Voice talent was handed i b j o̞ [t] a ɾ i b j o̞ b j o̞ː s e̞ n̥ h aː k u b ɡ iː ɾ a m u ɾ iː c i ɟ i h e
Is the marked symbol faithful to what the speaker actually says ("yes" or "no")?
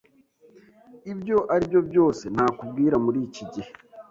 no